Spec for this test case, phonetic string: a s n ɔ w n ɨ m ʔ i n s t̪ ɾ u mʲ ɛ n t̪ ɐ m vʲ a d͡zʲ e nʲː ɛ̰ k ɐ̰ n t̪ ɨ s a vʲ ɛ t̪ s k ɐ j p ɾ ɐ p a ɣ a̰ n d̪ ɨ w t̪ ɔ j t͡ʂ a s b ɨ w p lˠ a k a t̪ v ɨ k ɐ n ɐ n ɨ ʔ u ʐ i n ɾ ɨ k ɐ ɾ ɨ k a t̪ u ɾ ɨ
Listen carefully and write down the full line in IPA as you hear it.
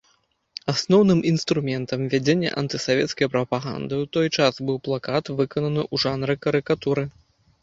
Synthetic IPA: a s n ɔ w n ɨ m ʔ i n s t̪ ɾ u mʲ ɛ n t̪ ɐ m vʲ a d͡zʲ e nʲː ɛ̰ ʔ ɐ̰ n t̪ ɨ s a vʲ ɛ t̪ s k ɐ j p ɾ ɐ p a ɣ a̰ n d̪ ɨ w t̪ ɔ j t͡ʂ a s b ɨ w p lˠ a k a t̪ v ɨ k ɐ n ɐ n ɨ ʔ u ʐ a n ɾ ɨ k ɐ ɾ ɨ k a t̪ u ɾ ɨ